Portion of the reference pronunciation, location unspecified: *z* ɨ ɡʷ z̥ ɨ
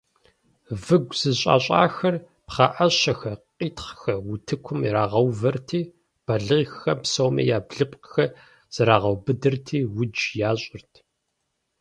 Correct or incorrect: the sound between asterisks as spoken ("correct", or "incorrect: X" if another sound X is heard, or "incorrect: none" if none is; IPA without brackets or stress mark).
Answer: incorrect: v